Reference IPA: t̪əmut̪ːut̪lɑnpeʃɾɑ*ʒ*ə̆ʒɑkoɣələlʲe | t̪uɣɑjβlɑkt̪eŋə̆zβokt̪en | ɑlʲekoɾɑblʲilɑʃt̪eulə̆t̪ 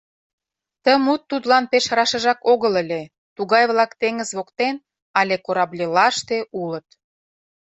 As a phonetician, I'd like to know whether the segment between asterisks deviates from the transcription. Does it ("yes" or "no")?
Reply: yes